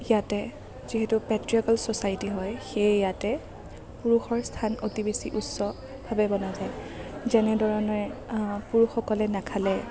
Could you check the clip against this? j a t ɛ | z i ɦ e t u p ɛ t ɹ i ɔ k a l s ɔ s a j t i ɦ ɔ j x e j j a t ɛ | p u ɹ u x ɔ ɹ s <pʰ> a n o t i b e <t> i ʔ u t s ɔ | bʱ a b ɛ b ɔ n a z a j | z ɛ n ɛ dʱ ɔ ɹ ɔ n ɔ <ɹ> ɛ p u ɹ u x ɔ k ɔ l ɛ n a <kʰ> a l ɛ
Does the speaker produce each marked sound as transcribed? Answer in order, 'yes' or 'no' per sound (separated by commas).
no, no, yes, yes